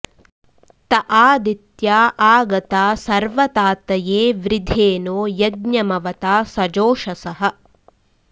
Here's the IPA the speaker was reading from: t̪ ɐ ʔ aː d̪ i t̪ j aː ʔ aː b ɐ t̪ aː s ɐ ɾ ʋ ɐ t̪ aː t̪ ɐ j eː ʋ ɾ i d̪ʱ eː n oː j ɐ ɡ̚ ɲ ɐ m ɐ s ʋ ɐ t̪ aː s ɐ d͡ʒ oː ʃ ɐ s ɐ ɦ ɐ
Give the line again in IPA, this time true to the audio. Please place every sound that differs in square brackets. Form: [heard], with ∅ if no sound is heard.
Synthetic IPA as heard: t̪ ɐ ʔ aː d̪ i t̪ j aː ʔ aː [ɡ] ɐ t̪ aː s ɐ ɾ ʋ ɐ t̪ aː t̪ ɐ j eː ʋ ɾ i d̪ʱ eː n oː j ɐ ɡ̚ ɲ ɐ m ɐ [∅] ʋ ɐ t̪ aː s ɐ d͡ʒ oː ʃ ɐ s ɐ ɦ ɐ

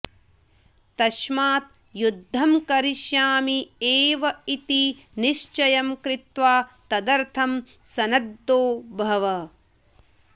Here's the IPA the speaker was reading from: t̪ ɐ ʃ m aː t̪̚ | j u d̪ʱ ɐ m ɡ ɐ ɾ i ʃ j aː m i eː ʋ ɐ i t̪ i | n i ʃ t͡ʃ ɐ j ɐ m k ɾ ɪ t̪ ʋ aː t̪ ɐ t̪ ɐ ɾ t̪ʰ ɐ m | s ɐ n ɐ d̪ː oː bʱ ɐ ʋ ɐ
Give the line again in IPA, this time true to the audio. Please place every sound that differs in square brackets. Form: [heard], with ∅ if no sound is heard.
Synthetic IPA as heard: t̪ ɐ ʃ m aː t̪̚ | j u [d̪ʱː] ɐ m [k] ɐ ɾ i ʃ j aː m i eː ʋ ɐ i t̪ i | n i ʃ t͡ʃ ɐ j ɐ m k ɾ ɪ t̪ ʋ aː t̪ ɐ [d̪] ɐ ɾ t̪ʰ ɐ m | s ɐ n ɐ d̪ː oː bʱ ɐ ʋ ɐ

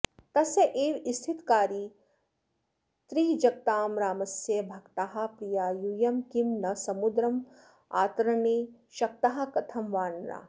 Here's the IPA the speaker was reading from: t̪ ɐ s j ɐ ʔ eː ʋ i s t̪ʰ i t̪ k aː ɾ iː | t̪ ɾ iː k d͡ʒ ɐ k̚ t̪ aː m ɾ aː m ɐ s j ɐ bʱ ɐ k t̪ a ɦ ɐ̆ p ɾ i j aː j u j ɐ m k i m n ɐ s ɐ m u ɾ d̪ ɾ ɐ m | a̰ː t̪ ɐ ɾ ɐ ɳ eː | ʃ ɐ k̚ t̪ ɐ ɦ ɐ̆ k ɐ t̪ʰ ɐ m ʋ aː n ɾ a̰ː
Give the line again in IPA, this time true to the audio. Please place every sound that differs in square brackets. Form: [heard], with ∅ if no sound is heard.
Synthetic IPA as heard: t̪ ɐ s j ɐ ʔ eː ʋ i s t̪ʰ i t̪ k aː ɾ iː | t̪ ɾ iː [∅] d͡ʒ ɐ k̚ t̪ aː m ɾ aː m ɐ s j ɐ bʱ ɐ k t̪ a ɦ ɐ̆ p ɾ i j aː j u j ɐ m k i m n ɐ s ɐ m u [∅] d̪ ɾ ɐ m | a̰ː t̪ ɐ ɾ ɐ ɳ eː | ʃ ɐ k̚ t̪ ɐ ɦ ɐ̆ k ɐ t̪ʰ ɐ m ʋ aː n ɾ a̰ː

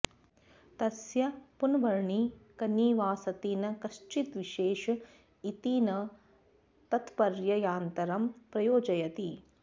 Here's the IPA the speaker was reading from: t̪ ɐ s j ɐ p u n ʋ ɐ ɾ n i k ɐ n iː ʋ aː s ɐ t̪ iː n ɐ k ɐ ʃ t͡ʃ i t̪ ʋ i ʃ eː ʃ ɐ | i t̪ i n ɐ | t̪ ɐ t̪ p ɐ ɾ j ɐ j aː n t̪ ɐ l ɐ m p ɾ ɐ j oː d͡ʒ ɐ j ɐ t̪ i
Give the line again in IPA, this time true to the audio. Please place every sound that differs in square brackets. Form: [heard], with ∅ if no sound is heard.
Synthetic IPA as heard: t̪ ɐ s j ɐ p u n ʋ ɐ ɾ [ɳ] i k ɐ n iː ʋ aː s ɐ t̪ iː n ɐ k ɐ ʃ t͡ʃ i t̪ ʋ i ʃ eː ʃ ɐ | i t̪ i n ɐ | t̪ ɐ t̪ p ɐ ɾ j ɐ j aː n t̪ ɐ [ɾ] ɐ m p ɾ ɐ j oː d͡ʒ ɐ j ɐ t̪ i

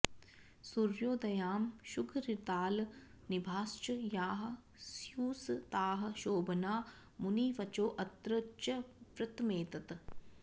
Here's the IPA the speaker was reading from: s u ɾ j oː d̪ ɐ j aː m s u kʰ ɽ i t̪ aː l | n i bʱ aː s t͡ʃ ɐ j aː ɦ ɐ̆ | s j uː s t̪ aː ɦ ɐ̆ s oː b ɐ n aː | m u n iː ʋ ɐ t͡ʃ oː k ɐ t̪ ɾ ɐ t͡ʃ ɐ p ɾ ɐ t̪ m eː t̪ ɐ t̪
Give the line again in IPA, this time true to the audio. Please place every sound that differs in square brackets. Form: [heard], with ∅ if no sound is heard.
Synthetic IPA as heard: s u ɾ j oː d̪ ɐ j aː m [ʃ] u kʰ [ɾ] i t̪ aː l | n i bʱ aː s t͡ʃ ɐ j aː ɦ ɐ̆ | s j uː s t̪ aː ɦ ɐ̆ [ʃ] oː b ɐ n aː | m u n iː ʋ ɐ t͡ʃ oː [ʔ] ɐ t̪ ɾ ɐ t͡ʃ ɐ p ɾ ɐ t̪ m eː t̪ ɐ t̪

